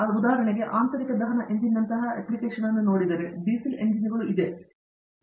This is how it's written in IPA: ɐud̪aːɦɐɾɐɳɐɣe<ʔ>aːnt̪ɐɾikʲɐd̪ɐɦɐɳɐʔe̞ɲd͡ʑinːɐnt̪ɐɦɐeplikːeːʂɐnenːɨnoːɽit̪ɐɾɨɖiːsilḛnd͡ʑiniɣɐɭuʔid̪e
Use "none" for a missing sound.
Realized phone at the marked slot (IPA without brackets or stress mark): ʔ